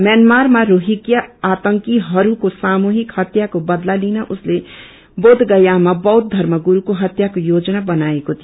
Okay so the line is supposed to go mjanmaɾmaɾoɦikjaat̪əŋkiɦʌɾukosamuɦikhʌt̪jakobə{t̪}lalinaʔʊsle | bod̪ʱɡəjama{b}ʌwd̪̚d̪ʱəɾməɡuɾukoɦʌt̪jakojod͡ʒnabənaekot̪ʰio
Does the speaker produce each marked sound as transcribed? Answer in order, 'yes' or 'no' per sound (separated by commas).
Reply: no, yes